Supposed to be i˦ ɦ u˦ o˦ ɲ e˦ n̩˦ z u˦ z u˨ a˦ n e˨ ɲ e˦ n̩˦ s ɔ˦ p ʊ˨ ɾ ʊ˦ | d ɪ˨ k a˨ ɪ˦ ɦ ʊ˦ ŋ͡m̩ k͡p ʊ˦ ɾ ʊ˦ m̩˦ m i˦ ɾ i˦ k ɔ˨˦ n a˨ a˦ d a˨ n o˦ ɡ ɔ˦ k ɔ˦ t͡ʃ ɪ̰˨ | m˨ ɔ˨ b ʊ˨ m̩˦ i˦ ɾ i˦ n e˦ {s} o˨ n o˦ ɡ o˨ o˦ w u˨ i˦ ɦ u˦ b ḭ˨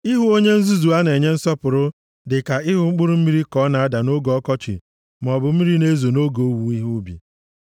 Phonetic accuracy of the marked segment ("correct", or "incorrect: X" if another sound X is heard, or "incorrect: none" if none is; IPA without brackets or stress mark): incorrect: z